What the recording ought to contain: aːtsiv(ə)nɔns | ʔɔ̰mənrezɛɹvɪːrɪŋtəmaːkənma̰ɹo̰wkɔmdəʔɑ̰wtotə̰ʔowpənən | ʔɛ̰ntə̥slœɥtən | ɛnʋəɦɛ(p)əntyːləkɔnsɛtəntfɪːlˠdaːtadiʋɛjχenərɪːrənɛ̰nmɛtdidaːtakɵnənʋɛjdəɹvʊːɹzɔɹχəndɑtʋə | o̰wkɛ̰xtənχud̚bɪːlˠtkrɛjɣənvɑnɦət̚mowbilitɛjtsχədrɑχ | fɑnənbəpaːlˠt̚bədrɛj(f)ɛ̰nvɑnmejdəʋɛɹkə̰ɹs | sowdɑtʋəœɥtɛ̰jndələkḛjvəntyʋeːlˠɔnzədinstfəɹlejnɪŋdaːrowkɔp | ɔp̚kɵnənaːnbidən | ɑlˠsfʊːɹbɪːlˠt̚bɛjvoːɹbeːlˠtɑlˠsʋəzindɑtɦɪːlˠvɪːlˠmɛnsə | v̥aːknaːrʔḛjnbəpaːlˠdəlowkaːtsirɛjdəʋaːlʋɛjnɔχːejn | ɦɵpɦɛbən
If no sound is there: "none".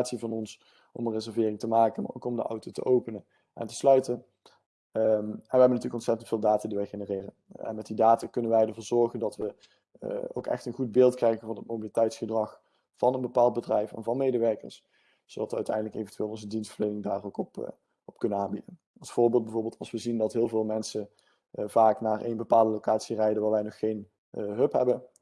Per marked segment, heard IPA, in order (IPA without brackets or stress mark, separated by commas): ɑ, b, f